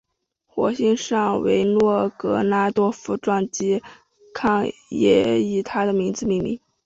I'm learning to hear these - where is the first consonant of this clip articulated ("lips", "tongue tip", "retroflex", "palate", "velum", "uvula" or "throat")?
velum